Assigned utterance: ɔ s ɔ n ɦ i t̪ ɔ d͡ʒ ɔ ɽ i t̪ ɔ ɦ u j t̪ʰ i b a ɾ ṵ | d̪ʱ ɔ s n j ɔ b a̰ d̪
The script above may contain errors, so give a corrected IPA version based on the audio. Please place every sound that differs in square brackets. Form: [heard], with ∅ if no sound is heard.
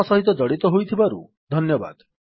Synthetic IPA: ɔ s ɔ [∅] ɦ i t̪ ɔ d͡ʒ ɔ ɽ i t̪ ɔ ɦ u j t̪ʰ i b a ɾ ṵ | d̪ʱ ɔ [∅] n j ɔ b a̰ d̪